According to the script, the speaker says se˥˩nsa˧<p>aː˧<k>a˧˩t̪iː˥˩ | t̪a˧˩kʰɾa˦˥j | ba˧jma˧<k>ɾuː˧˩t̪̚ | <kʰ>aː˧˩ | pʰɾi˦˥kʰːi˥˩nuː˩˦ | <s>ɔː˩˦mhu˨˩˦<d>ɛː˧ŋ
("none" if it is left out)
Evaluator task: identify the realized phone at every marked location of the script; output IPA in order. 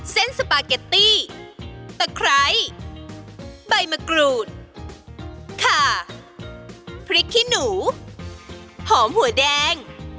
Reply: p, k, k, kʰ, h, d

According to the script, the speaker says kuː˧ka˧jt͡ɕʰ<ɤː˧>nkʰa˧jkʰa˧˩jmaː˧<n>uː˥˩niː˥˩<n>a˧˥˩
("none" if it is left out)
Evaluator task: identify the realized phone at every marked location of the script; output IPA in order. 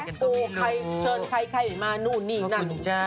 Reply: ɤː˧, n, n

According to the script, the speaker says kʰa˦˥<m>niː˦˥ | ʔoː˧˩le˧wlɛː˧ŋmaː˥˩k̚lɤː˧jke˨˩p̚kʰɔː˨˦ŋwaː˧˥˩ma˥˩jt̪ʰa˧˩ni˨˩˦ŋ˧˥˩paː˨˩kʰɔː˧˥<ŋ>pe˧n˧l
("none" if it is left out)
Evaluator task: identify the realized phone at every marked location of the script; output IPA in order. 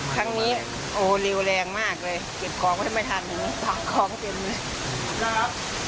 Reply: ŋ, ŋ

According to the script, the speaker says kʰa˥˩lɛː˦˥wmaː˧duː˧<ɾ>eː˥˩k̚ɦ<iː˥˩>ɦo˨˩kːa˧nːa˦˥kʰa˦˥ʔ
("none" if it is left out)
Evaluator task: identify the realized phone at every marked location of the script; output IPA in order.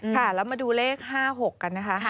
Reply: l, aː˥˩

